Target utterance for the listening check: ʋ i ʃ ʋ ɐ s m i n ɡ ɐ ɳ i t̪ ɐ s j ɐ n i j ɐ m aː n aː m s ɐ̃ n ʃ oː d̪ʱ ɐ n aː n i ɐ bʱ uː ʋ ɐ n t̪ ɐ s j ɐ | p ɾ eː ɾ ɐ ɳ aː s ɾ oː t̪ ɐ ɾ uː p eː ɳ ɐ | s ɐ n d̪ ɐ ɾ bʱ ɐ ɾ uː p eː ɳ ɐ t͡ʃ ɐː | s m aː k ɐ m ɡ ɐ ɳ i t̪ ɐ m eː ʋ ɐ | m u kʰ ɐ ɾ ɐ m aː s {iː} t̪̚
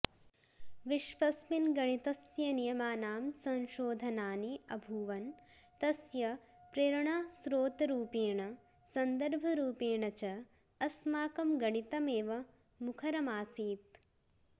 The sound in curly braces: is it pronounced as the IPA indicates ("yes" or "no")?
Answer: yes